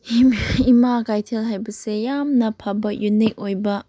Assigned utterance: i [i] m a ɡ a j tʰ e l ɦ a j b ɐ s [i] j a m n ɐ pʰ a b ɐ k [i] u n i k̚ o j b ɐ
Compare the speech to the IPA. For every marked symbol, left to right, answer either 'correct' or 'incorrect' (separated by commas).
correct, incorrect, incorrect